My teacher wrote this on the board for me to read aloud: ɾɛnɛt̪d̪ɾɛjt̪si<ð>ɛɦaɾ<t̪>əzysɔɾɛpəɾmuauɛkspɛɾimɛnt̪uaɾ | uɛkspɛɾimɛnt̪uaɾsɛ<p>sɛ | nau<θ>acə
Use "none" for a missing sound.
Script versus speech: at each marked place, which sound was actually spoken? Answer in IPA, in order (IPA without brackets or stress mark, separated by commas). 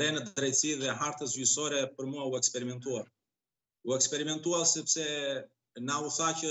ð, t̪, p, θ